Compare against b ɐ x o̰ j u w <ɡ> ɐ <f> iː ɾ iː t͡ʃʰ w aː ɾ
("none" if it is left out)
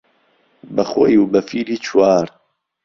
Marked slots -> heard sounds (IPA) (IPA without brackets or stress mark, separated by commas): b, f